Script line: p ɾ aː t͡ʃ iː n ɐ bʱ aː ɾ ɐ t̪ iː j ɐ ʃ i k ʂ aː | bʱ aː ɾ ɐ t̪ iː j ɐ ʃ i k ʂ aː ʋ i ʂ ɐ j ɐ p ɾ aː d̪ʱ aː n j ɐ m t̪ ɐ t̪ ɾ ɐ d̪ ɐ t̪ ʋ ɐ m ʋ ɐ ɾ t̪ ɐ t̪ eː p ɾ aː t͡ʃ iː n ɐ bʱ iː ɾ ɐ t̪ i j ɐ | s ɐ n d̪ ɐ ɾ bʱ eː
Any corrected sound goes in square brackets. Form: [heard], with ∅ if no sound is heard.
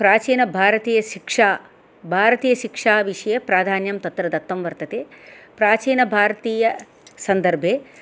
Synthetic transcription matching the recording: p ɾ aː t͡ʃ iː n ɐ bʱ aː ɾ ɐ t̪ iː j ɐ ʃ i k ʂ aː | bʱ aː ɾ ɐ t̪ iː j ɐ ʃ i k ʂ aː ʋ i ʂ ɐ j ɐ p ɾ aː d̪ʱ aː n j ɐ m t̪ ɐ t̪ ɾ ɐ d̪ ɐ t̪ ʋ ɐ m ʋ ɐ ɾ t̪ ɐ t̪ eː p ɾ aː t͡ʃ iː n ɐ bʱ [aː] ɾ ɐ t̪ [iː] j ɐ | s ɐ n d̪ ɐ ɾ bʱ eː